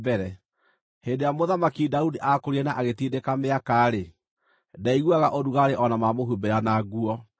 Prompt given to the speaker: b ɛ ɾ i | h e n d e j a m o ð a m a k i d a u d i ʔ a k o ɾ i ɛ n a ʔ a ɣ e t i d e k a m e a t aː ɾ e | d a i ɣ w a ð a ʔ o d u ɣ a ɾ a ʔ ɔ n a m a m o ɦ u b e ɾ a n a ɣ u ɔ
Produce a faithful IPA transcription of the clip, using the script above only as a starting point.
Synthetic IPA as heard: b ɛ ɾ ɛ | h e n d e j a m o ð a m a k i d a u d i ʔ a k o ɾ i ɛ n a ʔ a ɣ e t i d e k a m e a k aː ɾ e | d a i ɣ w a ɣ a ʔ o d u ɣ a ɾ e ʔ ɔ n a m a m o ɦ u b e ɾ a n a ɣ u ɔ